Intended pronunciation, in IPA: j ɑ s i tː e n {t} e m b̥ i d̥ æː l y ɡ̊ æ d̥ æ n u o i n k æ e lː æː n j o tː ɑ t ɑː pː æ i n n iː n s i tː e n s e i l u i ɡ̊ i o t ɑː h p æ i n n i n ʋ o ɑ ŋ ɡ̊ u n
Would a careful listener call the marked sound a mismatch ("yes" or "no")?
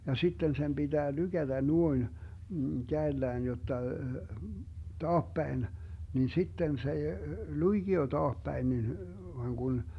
yes